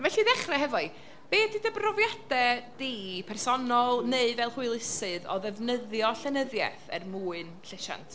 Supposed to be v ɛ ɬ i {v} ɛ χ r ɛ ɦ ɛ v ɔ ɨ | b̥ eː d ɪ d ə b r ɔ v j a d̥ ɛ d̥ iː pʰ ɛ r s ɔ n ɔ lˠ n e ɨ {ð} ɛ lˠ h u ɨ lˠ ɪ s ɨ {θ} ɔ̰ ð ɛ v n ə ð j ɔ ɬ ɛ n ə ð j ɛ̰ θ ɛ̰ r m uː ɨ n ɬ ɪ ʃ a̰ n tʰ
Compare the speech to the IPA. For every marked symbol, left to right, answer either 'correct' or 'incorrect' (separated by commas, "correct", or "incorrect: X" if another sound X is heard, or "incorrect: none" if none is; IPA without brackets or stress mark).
incorrect: ð, incorrect: v, incorrect: ð